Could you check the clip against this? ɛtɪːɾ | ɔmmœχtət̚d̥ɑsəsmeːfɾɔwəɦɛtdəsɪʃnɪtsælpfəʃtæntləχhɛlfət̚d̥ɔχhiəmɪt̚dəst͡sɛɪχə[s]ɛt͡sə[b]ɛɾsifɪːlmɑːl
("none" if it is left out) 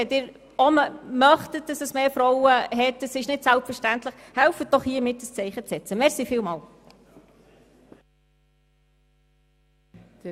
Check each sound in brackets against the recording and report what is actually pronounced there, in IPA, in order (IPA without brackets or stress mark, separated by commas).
t͡s, m